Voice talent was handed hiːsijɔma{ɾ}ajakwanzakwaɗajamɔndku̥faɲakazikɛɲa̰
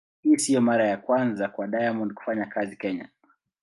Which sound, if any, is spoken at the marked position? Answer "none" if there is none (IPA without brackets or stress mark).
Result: ɾ